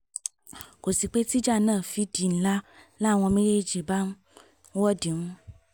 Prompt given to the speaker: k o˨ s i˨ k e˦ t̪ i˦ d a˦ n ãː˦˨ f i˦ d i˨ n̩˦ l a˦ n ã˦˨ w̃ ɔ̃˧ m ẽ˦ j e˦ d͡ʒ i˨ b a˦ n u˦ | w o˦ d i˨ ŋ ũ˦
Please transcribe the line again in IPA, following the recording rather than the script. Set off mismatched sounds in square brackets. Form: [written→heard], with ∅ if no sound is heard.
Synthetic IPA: k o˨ s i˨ [k→k͡p] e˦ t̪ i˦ [d→d͡ʒ] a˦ n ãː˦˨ f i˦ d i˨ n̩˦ l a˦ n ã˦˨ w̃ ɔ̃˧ m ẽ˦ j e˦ d͡ʒ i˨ b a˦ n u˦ | w [o˦→ɔ˦] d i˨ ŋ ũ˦